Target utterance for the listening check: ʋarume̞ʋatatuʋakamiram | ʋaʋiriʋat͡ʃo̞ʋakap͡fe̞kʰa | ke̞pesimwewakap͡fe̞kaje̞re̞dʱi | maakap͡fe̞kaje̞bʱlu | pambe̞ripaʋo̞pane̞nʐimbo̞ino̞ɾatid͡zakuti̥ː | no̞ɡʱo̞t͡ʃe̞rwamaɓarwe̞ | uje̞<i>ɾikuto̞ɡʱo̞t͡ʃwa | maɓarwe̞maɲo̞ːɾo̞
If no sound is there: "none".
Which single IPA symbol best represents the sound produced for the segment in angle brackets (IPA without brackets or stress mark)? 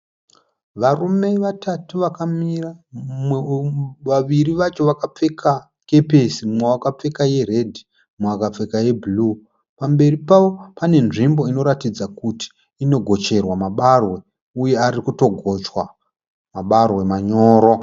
a